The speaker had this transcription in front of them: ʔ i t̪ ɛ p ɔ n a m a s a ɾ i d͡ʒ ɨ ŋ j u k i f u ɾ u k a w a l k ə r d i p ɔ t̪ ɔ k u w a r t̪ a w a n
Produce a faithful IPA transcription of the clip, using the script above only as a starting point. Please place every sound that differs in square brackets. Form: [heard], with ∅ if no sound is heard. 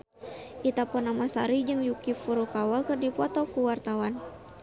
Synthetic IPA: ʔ i t̪ [a] p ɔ n a m a s a ɾ i d͡ʒ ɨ ŋ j u k i f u ɾ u k a w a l k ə r d i p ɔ t̪ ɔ k u w a r t̪ a w a n